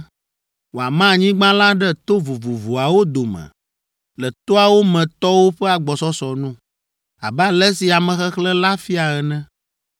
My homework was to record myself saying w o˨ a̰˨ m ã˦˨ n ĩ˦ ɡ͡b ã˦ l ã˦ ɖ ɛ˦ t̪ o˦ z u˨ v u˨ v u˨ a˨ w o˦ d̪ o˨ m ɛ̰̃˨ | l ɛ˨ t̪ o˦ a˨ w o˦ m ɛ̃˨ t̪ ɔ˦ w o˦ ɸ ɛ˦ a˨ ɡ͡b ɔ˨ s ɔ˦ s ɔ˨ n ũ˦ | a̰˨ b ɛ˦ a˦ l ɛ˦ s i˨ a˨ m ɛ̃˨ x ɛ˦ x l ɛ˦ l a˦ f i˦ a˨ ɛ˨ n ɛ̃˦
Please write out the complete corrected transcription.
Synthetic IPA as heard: w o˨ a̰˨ m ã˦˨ ɲ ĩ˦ ɡ͡b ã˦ l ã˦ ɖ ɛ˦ t̪ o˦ v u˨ v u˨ v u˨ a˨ w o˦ d̪ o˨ m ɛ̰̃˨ | l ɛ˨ t̪ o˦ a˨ w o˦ m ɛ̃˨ t̪ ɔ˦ w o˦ ɸ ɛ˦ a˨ ɡ͡b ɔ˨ s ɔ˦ s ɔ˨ n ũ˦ | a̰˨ b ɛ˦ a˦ l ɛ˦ s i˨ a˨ m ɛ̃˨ x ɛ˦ x l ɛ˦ l a˦ f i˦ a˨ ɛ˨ n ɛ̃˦